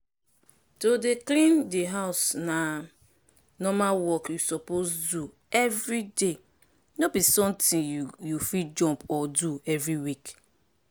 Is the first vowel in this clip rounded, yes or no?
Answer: yes